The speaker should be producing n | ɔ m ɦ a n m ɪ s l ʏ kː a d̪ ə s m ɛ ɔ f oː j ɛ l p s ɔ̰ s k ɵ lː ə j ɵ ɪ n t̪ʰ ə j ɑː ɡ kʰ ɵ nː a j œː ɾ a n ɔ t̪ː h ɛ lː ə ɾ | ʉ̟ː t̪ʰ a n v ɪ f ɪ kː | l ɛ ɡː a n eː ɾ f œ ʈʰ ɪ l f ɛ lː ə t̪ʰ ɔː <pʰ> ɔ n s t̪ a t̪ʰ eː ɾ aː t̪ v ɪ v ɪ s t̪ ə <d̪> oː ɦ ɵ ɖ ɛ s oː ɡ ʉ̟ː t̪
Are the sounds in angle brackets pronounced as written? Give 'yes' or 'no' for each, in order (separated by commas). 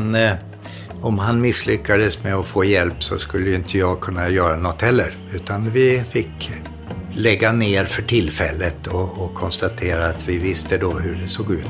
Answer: no, yes